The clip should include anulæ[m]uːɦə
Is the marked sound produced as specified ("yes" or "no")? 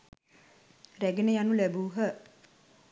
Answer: no